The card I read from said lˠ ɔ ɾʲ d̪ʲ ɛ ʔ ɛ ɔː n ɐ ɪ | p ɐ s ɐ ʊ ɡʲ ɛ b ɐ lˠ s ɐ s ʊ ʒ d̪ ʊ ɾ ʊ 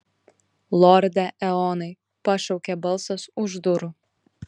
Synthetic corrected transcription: lˠ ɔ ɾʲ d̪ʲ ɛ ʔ ɛ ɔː n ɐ ɪ | p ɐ ʃ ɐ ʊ kʲ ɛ b ɐ lˠ s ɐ s ʊ ʒ d̪ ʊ ɾ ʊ